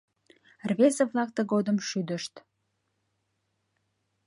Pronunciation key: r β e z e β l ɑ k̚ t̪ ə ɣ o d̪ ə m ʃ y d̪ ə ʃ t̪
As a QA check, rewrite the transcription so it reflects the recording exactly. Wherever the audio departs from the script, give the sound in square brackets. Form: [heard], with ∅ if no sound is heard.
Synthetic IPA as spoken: r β e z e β l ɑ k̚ t̪ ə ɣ o d̪ ə m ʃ y d̪ ə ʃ t̪

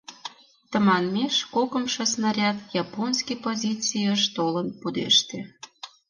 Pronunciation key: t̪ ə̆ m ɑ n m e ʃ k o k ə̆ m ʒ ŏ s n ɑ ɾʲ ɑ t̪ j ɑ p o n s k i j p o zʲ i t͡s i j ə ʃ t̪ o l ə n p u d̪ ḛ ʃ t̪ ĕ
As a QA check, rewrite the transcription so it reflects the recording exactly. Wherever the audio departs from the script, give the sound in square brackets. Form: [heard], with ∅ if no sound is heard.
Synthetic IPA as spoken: t̪ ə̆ m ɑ n m e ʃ k o k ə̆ m [ʃ] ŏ s n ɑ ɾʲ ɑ t̪ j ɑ p o n s k i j p o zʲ i t͡s i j ə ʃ t̪ o l ə n p u d̪ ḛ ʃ t̪ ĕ

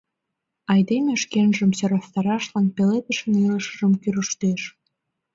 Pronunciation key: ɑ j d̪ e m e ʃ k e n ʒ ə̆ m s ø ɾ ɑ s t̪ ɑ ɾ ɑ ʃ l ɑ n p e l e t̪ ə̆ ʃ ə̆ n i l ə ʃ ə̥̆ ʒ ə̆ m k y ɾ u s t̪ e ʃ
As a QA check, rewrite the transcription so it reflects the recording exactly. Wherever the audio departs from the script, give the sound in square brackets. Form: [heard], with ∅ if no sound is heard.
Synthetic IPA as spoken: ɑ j d̪ e m e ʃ k e n ʒ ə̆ m s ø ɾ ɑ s t̪ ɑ ɾ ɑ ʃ l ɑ n p e l e t̪ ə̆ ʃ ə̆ n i l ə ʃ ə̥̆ ʒ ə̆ m k y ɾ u [ʃ] t̪ e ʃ

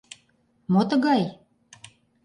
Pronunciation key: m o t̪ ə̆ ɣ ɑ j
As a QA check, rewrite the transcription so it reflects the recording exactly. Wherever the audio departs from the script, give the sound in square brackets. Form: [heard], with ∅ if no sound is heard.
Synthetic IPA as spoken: m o t̪ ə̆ ɣ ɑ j

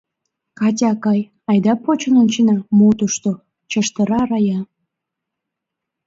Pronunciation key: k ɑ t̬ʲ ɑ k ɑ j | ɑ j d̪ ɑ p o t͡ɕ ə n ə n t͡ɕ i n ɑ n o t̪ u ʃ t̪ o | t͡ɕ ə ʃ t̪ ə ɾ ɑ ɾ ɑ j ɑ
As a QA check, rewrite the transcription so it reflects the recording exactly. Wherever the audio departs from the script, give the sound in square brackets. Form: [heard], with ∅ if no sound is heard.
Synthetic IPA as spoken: k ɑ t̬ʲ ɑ k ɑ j | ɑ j d̪ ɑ p o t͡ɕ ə n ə n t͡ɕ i n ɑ [m] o t̪ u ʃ t̪ o | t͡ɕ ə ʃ t̪ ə ɾ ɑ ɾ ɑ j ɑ

